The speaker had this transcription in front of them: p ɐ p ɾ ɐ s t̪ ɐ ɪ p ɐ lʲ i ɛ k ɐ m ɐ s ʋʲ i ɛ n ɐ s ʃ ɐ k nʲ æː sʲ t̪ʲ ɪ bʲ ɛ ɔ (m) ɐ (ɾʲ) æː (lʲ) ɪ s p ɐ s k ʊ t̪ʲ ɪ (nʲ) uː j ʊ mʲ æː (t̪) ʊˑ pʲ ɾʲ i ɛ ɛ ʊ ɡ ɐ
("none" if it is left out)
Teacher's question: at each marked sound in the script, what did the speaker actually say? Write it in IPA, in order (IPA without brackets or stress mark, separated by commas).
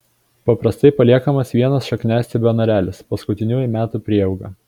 n, ɾʲ, lʲ, nʲ, t̪